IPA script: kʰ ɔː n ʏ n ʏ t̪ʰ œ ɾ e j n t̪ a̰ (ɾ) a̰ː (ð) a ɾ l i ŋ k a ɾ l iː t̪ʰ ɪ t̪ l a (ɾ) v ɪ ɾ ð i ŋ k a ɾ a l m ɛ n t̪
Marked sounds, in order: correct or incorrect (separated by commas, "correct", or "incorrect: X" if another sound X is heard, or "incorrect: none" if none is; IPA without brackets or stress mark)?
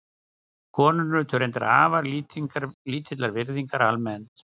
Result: correct, incorrect: v, correct